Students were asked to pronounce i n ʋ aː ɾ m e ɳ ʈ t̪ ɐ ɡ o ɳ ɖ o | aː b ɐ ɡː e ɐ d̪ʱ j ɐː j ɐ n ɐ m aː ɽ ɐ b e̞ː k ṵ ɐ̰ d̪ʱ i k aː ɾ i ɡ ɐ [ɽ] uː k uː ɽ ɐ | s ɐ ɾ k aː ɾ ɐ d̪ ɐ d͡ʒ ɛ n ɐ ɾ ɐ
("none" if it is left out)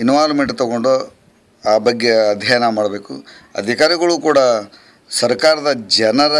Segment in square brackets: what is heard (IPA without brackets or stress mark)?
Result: ɭ